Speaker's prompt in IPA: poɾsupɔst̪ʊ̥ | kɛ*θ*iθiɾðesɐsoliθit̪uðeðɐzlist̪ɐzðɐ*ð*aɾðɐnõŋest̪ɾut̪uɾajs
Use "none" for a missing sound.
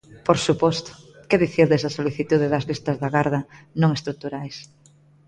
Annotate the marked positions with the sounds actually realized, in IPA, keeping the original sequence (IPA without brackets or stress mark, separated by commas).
ð, ɣ